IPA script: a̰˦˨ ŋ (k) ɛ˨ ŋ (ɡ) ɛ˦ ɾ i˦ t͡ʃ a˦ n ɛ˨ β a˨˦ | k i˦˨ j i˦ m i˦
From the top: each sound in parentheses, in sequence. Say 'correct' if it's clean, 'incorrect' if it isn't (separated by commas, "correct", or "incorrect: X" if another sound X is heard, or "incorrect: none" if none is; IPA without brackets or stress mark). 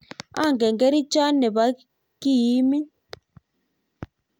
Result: incorrect: ɡ, correct